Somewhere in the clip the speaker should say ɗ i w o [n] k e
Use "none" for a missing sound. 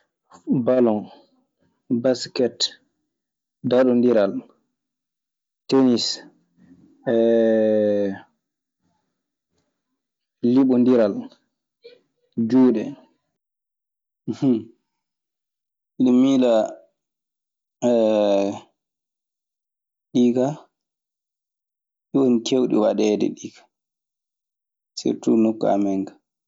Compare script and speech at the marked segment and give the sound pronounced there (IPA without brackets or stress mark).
n